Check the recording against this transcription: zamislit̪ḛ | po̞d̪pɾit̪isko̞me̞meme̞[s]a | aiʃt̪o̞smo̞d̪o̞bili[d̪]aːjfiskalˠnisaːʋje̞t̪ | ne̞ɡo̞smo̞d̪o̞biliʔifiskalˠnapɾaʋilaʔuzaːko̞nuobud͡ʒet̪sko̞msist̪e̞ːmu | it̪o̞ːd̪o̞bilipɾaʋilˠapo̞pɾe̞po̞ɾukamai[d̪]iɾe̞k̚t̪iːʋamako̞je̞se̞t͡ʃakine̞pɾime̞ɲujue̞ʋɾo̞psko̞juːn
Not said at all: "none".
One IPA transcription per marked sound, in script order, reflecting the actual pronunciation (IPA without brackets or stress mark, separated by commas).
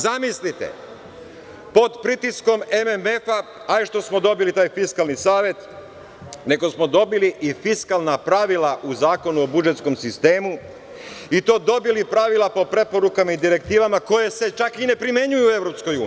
f, t̪, d̪